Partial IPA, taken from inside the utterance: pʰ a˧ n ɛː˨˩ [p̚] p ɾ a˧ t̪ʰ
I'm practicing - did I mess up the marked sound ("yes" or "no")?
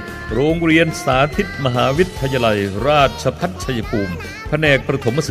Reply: yes